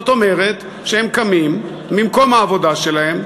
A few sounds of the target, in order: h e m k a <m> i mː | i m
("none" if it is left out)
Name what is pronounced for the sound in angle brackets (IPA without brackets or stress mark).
m